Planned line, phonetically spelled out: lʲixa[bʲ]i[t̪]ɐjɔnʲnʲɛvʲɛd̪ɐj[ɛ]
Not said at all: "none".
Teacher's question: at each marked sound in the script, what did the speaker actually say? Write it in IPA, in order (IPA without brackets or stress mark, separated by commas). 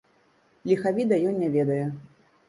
vʲ, d̪, ɛ